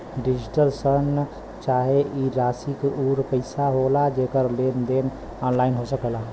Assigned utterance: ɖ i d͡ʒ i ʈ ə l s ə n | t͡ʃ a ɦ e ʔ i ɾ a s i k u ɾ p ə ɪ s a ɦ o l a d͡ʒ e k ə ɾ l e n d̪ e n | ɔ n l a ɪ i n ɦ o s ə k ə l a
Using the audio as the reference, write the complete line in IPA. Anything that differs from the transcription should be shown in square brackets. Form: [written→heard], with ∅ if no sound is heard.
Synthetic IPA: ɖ i d͡ʒ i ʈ ə l s ə n | t͡ʃ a ɦ e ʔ i ɾ a s i k u ɾ p ə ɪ s a ɦ o l a d͡ʒ e k ə ɾ l e n d̪ e n | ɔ n l a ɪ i n ɦ o s ə k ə l a